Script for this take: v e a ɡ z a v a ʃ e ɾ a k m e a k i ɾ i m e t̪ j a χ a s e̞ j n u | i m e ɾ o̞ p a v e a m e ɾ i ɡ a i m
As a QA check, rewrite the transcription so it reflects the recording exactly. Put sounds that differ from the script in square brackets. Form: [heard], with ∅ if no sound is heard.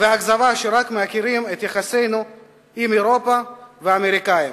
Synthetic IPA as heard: v e a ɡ z a v a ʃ e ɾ a k m e a k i ɾ i m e t̪ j a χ a s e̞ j n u | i m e ɾ o̞ p a v e a m e ɾ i [k] a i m